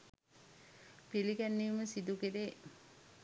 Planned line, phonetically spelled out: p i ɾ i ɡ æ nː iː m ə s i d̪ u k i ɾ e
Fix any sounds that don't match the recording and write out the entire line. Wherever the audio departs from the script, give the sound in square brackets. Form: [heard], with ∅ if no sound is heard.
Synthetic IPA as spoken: p i [l] i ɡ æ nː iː m ə s i d̪ u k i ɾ e